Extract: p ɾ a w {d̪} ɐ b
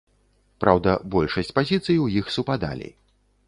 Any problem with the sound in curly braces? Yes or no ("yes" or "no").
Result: no